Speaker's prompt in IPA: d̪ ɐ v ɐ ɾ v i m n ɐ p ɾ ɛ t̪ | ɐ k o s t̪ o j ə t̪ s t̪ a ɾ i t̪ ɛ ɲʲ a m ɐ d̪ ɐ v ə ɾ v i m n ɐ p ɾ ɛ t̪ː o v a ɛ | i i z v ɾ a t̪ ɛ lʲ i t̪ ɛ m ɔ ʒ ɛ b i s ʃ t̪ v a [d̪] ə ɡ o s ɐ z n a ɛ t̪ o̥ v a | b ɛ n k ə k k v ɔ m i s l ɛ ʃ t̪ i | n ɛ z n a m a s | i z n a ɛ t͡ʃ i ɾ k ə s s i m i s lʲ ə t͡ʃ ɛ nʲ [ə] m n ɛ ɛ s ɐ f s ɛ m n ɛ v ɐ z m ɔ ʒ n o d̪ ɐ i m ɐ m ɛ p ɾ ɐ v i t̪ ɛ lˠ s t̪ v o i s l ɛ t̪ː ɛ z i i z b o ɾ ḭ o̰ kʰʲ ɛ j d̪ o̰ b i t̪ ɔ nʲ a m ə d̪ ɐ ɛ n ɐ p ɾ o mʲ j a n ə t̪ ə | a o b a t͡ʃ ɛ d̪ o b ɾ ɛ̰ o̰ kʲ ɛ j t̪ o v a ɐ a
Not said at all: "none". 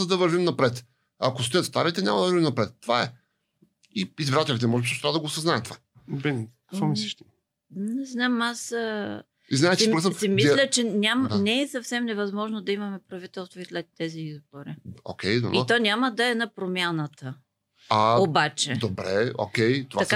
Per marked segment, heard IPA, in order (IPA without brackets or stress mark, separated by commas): d̪, a